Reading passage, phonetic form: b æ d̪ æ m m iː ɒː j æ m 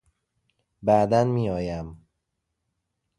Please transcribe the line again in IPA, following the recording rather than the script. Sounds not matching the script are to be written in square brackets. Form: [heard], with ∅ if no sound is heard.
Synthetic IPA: b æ d̪ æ [n] m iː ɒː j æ m